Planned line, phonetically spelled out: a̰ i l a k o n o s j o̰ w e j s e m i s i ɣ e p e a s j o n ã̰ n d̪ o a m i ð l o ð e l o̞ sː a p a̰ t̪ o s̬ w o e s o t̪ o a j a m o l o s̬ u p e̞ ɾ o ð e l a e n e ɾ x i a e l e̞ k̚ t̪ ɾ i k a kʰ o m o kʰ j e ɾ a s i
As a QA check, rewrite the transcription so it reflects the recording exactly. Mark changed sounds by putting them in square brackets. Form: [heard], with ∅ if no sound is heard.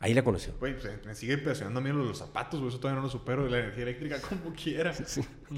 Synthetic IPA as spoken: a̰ i l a k o n o s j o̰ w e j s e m [e] s i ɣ e p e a s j o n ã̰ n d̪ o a m i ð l o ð e l o̞ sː a p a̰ t̪ o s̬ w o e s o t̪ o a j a [n] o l o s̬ u p e̞ ɾ o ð e l a e n e ɾ x i a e l e̞ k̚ t̪ ɾ i k a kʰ o m o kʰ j e ɾ a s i